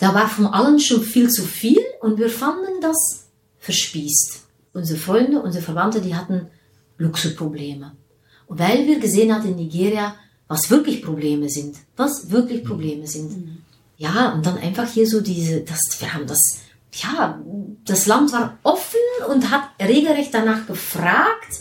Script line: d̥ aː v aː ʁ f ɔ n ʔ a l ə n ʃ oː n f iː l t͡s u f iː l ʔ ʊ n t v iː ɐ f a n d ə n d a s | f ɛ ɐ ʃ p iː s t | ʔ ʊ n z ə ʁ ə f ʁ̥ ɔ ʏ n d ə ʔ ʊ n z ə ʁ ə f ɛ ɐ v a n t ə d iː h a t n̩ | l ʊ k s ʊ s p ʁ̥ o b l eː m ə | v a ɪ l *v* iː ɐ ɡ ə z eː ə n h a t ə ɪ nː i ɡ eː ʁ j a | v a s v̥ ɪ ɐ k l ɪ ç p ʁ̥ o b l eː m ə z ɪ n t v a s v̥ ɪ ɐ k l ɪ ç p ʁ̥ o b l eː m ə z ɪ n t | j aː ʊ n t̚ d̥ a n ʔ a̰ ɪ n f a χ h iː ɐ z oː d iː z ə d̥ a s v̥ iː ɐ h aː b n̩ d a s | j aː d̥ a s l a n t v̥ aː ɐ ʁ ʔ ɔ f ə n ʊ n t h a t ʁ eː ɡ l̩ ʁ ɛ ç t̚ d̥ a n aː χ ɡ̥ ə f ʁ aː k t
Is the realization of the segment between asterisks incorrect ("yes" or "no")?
no